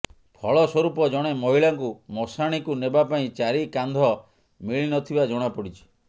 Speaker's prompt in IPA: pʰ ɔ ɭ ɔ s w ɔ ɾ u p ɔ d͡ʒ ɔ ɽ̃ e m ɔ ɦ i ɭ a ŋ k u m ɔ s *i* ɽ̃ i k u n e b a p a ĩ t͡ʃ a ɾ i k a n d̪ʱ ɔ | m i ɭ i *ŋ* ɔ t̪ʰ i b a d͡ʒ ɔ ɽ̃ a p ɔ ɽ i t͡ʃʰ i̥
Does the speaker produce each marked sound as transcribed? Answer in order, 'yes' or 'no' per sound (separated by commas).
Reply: no, no